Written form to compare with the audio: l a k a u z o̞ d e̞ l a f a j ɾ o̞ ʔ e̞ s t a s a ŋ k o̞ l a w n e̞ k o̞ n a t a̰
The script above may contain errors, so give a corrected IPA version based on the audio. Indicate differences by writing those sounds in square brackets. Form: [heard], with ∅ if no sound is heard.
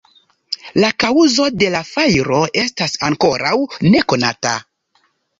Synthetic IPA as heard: l a k a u z o̞ d e̞ l a f a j ɾ o̞ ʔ e̞ s t a s a ŋ k o̞ [ɾ] a w n e̞ k o̞ n a t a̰